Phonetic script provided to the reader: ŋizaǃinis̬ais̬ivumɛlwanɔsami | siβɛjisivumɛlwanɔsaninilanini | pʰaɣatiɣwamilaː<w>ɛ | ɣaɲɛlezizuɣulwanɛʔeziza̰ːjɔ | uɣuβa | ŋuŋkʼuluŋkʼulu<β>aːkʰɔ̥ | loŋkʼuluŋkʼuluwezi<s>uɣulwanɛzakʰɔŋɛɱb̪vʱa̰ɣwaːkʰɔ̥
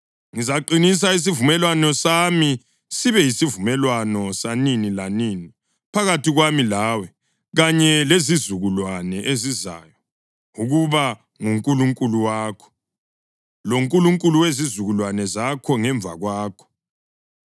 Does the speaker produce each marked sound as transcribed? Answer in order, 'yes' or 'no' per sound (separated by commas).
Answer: yes, no, no